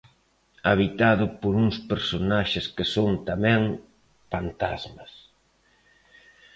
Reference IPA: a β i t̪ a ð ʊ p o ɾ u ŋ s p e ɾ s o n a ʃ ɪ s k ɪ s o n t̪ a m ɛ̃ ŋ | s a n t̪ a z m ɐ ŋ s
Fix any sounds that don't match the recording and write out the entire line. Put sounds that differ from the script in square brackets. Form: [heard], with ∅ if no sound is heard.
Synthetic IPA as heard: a β i t̪ a ð ʊ p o ɾ u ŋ s p e ɾ s o n a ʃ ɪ s k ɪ s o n t̪ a m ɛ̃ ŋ | [f] a n t̪ a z m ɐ [∅] s